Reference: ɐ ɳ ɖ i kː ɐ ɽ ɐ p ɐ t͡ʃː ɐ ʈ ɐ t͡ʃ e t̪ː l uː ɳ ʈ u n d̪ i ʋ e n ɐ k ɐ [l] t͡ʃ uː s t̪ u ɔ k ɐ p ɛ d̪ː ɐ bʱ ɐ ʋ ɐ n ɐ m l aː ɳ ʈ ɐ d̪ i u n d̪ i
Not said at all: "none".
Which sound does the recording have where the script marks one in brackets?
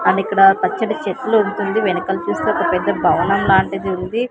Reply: l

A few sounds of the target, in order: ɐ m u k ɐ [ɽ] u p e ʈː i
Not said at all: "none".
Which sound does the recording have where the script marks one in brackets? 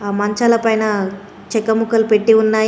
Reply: l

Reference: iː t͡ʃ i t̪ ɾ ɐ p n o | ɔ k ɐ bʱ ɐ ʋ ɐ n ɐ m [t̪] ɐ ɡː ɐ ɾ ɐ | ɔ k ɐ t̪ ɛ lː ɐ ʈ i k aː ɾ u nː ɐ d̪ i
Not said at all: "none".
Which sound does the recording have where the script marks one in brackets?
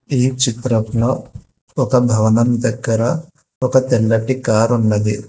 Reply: d̪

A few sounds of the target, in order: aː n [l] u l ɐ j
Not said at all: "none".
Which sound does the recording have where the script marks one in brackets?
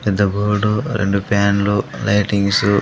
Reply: l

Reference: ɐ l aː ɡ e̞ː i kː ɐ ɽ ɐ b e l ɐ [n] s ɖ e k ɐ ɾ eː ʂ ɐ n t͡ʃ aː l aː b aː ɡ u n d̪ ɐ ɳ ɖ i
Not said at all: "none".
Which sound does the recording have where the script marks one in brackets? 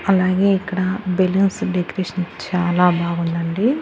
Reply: n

